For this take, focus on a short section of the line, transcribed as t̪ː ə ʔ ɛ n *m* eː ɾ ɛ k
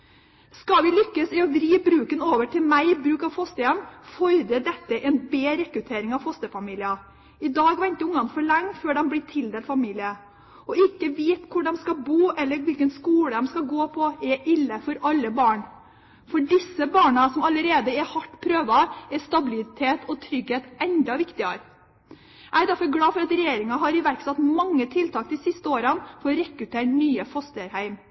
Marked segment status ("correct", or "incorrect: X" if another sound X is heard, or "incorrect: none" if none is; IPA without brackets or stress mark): incorrect: b